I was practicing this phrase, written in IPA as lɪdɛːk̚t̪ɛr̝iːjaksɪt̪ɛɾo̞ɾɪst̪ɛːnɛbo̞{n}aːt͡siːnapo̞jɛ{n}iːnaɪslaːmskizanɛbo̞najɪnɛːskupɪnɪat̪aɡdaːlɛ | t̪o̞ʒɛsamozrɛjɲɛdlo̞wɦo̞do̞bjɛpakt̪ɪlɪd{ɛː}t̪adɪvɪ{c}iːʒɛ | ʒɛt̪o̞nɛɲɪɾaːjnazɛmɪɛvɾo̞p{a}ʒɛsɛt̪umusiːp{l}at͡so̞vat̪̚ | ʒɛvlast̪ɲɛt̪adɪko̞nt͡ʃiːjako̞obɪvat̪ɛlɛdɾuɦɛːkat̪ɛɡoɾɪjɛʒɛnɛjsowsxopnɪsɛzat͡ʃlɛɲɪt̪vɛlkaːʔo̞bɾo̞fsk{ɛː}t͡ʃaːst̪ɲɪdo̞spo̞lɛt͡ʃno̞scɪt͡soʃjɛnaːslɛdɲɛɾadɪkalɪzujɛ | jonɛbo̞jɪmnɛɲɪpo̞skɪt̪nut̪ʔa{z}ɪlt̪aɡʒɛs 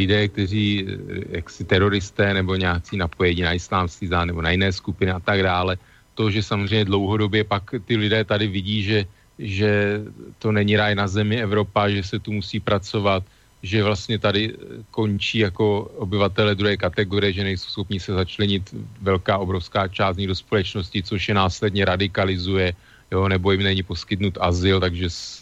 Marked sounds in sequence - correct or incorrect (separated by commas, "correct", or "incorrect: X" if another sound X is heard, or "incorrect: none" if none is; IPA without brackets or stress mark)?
incorrect: ɲ, incorrect: ɲ, correct, incorrect: ɟ, correct, incorrect: ɾ, incorrect: aː, correct